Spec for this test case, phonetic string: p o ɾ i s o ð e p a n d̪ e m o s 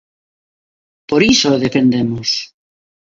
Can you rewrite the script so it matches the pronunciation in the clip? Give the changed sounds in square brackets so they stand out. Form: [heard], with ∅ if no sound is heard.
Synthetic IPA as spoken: p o ɾ i s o ð e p [e] n d̪ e m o s